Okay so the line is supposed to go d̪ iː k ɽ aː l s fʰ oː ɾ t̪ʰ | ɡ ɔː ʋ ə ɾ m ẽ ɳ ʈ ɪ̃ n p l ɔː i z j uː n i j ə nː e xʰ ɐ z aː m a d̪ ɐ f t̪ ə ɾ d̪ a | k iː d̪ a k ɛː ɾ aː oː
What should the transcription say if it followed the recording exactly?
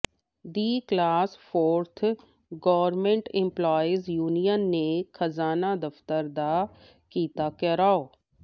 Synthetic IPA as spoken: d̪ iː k l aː s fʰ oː ɾ t̪ʰ | ɡ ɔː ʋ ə ɾ m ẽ ɳ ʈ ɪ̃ m p l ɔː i z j uː n i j ə nː e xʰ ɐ z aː n a d̪ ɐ f t̪ ə ɾ d̪ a | k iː t̪ a k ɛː ɾ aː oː